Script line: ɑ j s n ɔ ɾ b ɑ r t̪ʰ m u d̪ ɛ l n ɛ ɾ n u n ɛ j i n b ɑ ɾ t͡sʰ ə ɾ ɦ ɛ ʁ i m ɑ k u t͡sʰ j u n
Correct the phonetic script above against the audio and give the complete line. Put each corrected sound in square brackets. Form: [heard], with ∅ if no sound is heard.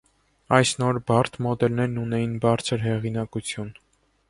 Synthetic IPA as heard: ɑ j s n ɔ ɾ b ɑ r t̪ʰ m [ɔ] d̪ ɛ l n ɛ ɾ n u n ɛ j i n b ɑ ɾ t͡sʰ ə ɾ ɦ ɛ ʁ i [n] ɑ k u t͡sʰ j u n